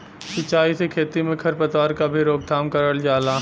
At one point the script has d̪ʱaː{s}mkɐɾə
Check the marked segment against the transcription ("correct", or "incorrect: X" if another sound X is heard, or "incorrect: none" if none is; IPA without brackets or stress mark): incorrect: none